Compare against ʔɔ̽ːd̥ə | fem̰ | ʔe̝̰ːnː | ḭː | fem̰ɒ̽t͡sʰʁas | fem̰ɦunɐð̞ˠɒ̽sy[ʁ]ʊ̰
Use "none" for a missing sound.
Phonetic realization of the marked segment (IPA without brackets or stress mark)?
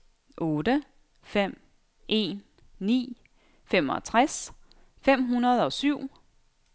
none